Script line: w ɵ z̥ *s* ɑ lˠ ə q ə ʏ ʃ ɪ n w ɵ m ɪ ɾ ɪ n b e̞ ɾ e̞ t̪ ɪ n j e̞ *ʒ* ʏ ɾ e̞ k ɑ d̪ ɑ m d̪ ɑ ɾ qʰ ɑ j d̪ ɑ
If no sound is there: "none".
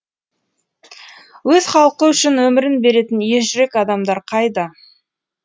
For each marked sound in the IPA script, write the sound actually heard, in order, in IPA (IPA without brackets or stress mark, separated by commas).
χ, ʒ